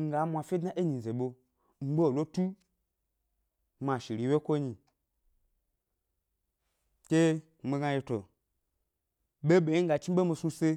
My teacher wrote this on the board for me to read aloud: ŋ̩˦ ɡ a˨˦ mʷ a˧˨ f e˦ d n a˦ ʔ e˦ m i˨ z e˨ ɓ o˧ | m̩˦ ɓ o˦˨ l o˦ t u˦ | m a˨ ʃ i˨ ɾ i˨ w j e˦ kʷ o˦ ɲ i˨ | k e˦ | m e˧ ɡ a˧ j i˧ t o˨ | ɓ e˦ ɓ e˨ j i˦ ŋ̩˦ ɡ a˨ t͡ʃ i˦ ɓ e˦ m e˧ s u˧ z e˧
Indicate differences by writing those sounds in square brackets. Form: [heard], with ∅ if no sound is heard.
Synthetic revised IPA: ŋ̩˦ ɡ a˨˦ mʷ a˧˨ f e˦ d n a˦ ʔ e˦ [ɲ] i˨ z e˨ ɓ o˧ | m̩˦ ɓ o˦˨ l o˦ t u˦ | m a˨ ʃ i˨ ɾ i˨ w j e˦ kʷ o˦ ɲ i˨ | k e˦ | m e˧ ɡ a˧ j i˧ t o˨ | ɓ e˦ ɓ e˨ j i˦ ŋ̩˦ ɡ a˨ t͡ʃ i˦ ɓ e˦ m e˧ s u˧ [s] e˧

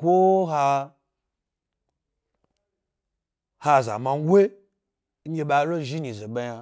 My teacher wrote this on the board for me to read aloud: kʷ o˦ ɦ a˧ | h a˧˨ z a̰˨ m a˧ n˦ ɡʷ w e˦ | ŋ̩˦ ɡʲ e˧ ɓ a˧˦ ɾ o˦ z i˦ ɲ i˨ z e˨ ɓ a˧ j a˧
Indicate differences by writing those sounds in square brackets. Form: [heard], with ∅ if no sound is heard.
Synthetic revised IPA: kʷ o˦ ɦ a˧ | h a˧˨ z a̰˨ m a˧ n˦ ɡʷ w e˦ | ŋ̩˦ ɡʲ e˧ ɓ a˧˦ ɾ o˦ [ʒ] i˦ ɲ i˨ z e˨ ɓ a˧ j a˧

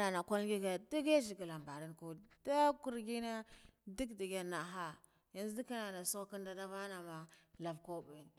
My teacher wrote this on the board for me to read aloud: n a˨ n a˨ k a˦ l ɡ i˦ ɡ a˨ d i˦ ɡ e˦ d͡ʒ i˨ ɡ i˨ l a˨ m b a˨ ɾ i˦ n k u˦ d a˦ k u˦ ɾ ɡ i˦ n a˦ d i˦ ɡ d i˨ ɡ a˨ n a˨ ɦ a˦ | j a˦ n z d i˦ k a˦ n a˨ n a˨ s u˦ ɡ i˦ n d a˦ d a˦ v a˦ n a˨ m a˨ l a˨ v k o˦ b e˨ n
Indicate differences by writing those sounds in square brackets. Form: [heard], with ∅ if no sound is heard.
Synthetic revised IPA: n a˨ n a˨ k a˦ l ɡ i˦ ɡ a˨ d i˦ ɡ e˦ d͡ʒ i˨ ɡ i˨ l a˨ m b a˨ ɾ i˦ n k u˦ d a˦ k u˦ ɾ ɡ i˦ n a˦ d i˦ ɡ d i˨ ɡ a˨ n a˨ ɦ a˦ | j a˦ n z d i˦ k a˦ n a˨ n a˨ s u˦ [k] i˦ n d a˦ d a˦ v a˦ n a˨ m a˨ l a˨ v k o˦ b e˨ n

